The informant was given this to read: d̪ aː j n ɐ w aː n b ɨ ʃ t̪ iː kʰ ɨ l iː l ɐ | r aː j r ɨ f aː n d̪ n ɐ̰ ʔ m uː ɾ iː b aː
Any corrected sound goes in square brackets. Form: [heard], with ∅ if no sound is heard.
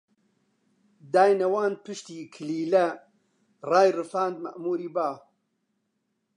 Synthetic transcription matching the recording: d̪ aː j n ɐ w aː n [p] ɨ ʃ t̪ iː kʰ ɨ l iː l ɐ | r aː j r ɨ f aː n d̪ [m] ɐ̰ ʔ m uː ɾ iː b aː